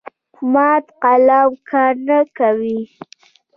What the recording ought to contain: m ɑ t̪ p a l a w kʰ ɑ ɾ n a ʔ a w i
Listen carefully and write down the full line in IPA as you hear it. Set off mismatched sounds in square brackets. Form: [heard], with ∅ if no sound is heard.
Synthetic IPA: m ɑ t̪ [q] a l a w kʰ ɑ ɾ n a [k] a w i